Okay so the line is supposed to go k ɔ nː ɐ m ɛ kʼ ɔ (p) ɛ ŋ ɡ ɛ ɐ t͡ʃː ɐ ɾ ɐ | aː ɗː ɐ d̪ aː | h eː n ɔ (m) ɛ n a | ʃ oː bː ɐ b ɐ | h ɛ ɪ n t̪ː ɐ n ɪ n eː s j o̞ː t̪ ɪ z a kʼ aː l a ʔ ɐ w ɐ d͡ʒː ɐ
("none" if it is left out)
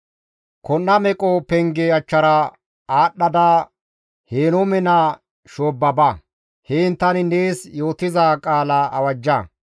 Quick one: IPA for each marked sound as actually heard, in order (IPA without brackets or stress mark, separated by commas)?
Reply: p, m